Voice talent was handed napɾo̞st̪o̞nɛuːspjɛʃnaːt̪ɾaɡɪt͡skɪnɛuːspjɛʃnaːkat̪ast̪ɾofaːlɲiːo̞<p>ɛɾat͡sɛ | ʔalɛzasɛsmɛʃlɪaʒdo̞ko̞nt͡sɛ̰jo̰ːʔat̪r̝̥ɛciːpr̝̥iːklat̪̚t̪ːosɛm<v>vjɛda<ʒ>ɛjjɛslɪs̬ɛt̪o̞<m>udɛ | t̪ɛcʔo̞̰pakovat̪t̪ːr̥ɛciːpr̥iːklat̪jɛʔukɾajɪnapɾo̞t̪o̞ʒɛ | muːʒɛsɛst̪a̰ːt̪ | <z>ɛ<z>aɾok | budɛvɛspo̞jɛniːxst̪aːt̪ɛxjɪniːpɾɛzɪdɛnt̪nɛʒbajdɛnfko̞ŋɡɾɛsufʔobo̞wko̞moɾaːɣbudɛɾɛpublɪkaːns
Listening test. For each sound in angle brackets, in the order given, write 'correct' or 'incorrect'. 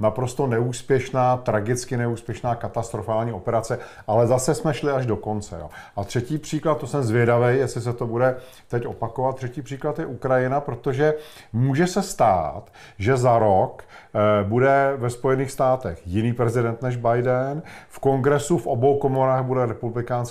correct, incorrect: z, incorrect: v, incorrect: b, incorrect: ʒ, correct

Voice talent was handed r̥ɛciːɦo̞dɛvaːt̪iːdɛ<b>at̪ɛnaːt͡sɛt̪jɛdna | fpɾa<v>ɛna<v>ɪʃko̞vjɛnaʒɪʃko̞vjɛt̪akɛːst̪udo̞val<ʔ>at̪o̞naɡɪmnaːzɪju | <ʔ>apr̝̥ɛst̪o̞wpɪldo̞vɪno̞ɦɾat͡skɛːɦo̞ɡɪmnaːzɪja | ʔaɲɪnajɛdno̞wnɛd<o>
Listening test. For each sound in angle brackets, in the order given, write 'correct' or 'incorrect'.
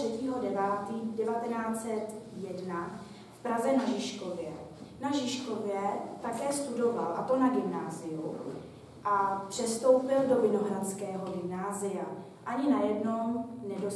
incorrect: v, incorrect: z, incorrect: ʒ, correct, correct, correct

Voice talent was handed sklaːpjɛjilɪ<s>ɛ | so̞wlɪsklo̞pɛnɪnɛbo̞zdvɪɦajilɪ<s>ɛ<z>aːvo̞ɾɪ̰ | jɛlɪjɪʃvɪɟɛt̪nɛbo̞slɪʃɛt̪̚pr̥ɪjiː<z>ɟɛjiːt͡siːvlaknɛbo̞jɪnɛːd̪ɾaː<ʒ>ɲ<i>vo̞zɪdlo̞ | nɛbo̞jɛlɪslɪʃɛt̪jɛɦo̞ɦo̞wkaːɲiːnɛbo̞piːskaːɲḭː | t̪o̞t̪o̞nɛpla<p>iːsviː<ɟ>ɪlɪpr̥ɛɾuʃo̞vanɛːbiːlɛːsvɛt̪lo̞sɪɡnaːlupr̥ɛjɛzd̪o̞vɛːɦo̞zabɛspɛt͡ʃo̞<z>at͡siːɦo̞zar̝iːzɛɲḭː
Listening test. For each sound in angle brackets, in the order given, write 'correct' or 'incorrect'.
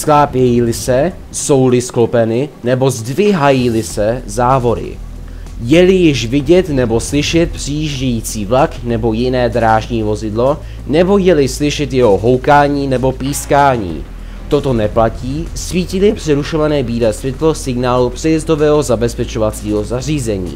correct, correct, correct, incorrect: ʒ, correct, incorrect: iː, incorrect: c, incorrect: c, incorrect: v

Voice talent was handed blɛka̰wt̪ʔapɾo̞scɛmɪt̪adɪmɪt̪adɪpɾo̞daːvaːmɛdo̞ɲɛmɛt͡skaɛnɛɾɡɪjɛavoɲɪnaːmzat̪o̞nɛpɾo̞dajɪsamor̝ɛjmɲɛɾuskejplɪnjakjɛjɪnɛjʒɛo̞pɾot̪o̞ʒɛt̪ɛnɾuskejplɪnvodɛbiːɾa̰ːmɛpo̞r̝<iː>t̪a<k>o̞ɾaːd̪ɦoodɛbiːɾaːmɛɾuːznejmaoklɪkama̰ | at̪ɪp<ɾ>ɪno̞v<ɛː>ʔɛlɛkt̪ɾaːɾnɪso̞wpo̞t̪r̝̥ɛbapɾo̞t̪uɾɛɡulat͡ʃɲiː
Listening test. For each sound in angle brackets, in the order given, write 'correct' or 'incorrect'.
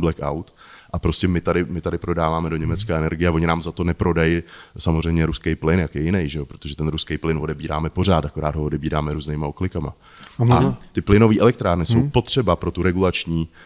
incorrect: aː, correct, incorrect: l, incorrect: iː

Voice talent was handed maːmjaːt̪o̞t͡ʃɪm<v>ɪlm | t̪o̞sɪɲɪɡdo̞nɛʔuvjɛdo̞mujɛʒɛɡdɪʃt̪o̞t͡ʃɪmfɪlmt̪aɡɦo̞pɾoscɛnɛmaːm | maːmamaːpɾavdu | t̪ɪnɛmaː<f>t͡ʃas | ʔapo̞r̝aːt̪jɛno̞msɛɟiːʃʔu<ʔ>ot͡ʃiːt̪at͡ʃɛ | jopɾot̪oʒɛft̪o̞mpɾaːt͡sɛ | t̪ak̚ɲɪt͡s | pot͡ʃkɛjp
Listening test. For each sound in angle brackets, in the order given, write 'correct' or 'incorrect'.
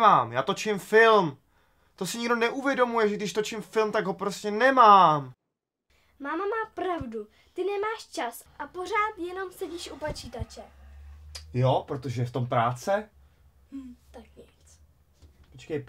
incorrect: f, incorrect: ʃ, incorrect: p

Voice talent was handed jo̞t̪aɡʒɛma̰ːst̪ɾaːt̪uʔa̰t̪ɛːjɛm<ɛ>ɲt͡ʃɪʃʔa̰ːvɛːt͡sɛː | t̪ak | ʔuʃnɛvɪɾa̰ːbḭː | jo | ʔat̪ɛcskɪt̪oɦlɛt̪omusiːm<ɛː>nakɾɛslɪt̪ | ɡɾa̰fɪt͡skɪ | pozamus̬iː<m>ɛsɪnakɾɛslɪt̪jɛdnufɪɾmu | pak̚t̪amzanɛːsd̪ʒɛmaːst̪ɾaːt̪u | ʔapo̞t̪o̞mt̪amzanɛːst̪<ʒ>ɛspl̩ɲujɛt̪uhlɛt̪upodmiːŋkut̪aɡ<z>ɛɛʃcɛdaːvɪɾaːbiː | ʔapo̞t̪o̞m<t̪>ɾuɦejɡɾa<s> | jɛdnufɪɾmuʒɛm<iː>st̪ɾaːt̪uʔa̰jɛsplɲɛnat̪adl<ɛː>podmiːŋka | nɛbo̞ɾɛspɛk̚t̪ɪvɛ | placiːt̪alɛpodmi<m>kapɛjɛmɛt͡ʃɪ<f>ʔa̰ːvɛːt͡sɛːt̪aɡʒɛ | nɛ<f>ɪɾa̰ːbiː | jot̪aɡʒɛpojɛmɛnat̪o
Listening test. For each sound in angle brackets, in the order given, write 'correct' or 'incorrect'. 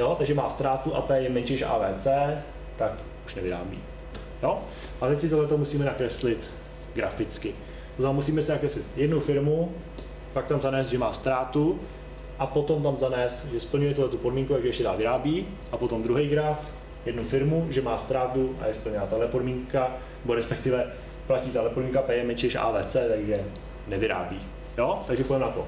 correct, incorrect: ɛ, correct, correct, incorrect: ʒ, incorrect: d̪, incorrect: f, incorrect: aː, incorrect: ɛ, incorrect: ŋ, incorrect: ʃ, incorrect: v

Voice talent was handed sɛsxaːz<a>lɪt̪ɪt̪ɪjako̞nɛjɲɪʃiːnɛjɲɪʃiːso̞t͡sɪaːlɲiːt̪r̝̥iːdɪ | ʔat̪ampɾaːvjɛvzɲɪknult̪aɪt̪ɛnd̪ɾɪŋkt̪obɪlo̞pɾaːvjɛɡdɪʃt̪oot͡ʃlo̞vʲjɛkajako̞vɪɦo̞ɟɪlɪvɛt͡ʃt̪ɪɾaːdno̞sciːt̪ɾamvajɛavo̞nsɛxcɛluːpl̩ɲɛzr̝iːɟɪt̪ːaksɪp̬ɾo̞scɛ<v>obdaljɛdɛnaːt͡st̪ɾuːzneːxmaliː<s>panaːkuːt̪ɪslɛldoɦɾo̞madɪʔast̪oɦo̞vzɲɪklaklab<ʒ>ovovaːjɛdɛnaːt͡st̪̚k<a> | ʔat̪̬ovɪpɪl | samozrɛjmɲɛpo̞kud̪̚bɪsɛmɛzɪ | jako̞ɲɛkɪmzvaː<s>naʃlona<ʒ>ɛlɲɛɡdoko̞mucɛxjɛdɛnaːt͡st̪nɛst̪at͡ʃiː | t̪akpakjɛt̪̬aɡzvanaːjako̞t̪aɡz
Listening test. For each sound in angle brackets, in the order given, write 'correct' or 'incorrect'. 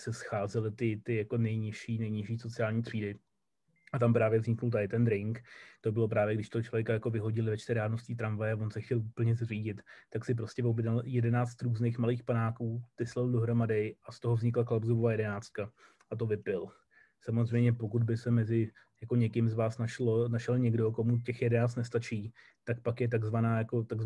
incorrect: ɛ, correct, incorrect: x, incorrect: z, correct, correct, incorrect: ʃ

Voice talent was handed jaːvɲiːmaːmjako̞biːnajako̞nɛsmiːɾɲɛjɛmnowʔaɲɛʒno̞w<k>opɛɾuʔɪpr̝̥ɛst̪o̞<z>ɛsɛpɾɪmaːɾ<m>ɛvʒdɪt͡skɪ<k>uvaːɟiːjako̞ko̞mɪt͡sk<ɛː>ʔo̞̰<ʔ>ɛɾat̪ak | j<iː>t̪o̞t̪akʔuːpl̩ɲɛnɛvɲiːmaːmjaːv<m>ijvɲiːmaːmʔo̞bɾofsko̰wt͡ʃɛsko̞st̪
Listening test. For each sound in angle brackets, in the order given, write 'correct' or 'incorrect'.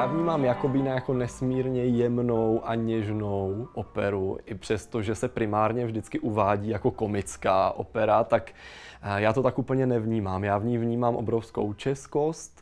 incorrect: ʔ, incorrect: ʒ, incorrect: ɲ, incorrect: ʔ, incorrect: aː, incorrect: p, incorrect: aː, incorrect: ɲ

